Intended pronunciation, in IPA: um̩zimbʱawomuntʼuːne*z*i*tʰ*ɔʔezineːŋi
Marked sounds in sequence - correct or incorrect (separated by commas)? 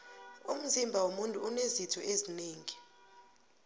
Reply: correct, correct